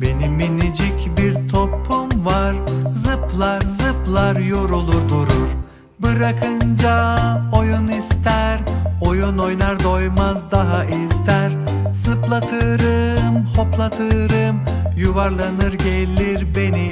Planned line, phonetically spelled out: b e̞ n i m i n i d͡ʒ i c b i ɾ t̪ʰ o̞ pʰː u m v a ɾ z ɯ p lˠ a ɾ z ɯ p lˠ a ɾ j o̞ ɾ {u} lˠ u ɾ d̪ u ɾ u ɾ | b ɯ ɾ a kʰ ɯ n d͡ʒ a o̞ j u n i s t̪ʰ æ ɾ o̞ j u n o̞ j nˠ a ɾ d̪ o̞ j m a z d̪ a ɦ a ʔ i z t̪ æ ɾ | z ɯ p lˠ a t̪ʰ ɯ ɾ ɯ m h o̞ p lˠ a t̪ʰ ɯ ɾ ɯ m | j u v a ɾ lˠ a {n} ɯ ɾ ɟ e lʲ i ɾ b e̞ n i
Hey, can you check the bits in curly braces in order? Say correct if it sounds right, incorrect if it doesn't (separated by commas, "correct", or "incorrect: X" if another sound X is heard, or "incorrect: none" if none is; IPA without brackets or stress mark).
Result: correct, correct